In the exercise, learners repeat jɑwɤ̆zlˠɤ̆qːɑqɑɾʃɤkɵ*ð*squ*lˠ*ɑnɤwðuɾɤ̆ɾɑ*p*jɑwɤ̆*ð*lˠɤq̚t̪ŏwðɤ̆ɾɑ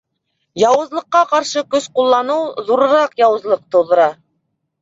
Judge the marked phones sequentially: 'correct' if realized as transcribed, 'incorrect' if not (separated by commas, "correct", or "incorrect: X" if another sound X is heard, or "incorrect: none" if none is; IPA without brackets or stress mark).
incorrect: none, incorrect: lˠː, incorrect: q, incorrect: z